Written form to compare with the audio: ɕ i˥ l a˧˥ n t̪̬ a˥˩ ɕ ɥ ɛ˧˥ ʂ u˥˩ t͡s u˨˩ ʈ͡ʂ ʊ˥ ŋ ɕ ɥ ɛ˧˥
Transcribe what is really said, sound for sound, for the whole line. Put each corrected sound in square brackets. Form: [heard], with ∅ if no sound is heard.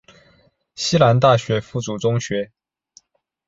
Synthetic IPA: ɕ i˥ l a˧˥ n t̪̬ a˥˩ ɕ ɥ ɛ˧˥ [f] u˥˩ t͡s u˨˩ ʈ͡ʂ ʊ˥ ŋ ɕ ɥ ɛ˧˥

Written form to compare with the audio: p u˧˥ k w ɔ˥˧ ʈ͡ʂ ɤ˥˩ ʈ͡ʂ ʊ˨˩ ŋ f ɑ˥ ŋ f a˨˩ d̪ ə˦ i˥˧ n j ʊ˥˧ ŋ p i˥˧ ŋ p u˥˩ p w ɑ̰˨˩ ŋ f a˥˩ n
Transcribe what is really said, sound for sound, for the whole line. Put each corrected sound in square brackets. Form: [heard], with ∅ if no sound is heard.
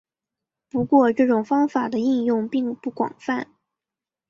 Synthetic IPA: p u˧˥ k w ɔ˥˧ ʈ͡ʂ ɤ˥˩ ʈ͡ʂ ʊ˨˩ ŋ f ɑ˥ ŋ f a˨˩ d̪ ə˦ i˥˧ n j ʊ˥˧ ŋ p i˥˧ ŋ p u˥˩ [k] w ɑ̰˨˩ ŋ f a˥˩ n

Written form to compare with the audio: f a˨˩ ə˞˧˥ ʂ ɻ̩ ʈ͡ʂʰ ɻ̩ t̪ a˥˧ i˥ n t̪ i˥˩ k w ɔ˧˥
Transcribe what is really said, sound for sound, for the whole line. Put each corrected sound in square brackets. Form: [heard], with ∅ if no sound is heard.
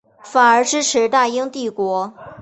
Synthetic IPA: f a˨˩ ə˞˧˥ [ʈ͡ʂ] ɻ̩ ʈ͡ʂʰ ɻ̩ t̪ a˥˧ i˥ [ŋ] t̪ i˥˩ k w ɔ˧˥

